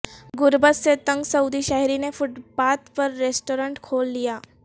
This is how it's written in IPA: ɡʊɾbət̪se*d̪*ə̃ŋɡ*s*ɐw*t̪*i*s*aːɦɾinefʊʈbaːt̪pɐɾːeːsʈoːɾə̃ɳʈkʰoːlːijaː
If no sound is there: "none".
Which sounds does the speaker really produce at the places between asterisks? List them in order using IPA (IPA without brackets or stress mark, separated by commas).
t̪, s, d̪, ʃ